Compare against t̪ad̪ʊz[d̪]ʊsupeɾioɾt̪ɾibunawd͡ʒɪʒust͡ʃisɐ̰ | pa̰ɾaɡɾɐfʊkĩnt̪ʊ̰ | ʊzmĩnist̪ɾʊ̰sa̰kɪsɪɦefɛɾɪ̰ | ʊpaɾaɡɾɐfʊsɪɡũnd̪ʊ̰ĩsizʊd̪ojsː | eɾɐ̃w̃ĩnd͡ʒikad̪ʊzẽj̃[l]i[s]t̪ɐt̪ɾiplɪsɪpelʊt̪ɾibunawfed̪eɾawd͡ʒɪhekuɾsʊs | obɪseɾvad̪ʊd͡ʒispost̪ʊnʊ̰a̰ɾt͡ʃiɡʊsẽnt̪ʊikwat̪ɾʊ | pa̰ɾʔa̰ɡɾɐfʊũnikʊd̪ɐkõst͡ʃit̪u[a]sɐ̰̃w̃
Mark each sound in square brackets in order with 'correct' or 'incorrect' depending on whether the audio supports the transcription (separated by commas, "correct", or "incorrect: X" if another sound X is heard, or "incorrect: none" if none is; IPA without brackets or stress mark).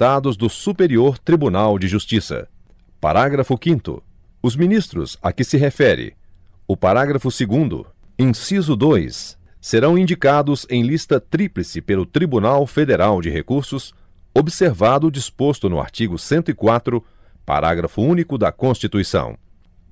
correct, correct, correct, incorrect: i